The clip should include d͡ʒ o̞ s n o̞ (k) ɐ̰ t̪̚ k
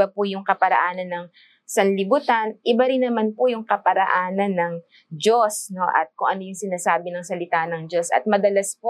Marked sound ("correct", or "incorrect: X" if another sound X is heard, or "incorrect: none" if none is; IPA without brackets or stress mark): incorrect: ʔ